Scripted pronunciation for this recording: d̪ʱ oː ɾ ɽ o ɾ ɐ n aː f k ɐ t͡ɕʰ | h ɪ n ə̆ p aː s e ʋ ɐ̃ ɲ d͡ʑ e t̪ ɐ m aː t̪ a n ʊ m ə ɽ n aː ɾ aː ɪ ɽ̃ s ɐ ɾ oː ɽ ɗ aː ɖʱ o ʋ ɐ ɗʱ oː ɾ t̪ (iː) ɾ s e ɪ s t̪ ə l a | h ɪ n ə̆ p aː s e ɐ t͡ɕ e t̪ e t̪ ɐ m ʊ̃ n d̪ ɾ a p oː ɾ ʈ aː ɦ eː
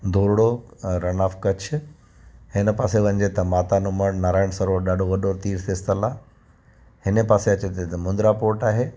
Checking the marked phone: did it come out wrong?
no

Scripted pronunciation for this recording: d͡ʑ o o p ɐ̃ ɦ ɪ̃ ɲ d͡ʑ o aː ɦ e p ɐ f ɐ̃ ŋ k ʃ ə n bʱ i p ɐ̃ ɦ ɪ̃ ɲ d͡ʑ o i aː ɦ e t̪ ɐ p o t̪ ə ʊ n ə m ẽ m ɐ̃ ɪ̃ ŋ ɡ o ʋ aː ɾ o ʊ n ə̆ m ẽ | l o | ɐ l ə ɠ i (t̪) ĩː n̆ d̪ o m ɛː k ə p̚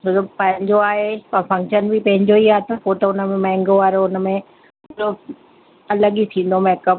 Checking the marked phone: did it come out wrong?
yes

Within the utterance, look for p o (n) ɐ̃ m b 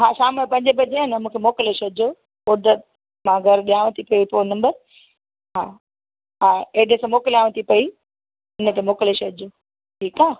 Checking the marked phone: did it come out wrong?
no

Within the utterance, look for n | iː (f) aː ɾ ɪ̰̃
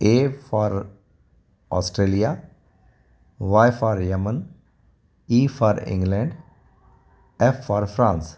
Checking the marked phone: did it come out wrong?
no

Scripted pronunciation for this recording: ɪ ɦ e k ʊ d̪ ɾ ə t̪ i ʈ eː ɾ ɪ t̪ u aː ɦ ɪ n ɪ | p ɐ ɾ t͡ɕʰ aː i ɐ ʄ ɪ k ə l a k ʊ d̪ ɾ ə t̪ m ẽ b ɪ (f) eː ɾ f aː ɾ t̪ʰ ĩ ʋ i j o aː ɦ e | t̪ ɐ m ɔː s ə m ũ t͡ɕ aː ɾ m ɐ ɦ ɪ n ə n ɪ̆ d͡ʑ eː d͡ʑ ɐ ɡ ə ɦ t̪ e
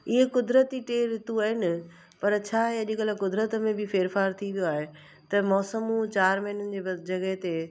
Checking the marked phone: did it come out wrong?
no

